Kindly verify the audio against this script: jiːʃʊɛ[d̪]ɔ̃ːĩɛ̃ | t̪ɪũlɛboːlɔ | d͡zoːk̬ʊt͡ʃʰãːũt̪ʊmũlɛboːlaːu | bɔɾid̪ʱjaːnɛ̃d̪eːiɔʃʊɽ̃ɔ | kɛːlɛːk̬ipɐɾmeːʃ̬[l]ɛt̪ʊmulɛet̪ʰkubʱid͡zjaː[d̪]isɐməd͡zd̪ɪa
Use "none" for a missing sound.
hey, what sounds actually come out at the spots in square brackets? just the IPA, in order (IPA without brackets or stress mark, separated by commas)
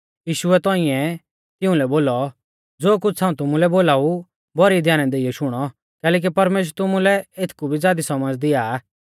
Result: t̪, ɾ, d̪